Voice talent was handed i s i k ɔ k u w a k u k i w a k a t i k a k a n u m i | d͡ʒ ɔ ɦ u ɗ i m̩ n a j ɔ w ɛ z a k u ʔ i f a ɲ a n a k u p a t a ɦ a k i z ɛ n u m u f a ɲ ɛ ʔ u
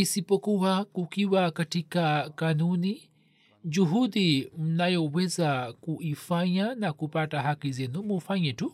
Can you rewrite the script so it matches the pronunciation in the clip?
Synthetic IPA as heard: i s i p ɔ k u w a k u k i w a k a t i k a k a n u n i | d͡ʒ u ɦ u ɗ i m̩ n a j ɔ w ɛ z a k u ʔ i f a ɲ a n a k u p a t a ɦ a k i z ɛ n u m u f a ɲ ɛ t u